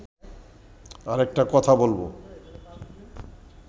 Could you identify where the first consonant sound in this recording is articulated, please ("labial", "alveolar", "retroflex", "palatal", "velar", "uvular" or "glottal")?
alveolar